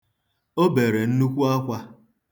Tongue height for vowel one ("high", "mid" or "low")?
mid